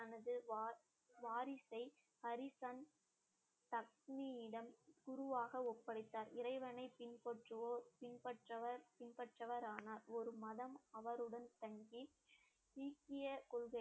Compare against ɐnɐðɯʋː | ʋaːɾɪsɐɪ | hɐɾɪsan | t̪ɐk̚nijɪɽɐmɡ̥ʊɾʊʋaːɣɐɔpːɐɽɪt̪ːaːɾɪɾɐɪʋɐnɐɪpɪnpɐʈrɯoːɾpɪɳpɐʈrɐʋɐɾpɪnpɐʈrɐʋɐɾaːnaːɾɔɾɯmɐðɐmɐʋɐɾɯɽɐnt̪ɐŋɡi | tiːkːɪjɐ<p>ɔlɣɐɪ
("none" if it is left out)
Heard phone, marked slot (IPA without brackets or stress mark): k